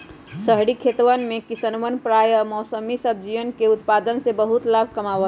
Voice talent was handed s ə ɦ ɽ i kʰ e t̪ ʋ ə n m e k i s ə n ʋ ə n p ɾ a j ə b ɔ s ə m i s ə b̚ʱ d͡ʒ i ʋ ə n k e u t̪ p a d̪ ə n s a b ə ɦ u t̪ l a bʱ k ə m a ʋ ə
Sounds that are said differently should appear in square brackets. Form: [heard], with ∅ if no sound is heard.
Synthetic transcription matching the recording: s ə ɦ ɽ i kʰ e t̪ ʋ ə n m e k i s ə n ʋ ə n p ɾ a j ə [m] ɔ s ə m i s ə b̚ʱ d͡ʒ i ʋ ə n k e u t̪ p a d̪ ə n s [e] b ə ɦ u t̪ l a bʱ k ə m a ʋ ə